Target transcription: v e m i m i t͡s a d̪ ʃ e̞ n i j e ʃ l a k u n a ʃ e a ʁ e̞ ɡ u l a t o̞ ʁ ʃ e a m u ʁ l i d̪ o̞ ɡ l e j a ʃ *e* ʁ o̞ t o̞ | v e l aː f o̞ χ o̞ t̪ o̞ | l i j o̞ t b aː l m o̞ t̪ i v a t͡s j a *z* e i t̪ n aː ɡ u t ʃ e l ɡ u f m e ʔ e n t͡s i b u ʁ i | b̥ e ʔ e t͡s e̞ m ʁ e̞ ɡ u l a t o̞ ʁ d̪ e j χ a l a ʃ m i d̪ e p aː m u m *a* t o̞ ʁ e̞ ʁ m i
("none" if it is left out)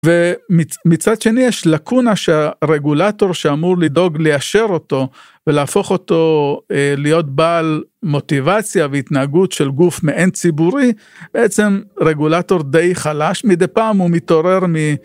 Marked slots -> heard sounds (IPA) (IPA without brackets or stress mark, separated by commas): e, v, i